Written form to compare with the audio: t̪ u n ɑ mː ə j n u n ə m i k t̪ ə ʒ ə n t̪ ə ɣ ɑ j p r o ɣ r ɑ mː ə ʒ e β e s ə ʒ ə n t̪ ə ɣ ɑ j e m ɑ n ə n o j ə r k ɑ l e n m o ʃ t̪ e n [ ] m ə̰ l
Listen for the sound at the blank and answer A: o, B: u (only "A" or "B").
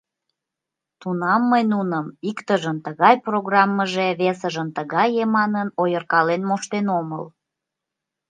A